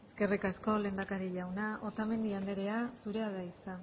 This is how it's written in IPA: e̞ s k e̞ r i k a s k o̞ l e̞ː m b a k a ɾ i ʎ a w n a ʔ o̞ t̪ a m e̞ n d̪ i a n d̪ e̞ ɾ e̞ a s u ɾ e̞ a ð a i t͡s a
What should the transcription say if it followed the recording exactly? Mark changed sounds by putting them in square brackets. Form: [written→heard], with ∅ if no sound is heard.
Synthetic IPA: e̞ s k e̞ r i k a s k o̞ l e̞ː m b a k a ɾ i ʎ a w n a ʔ o̞ t̪ a m e̞ n d̪ i a n d̪ e̞ ɾ e̞ a s u ɾ e̞ a ð a i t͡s a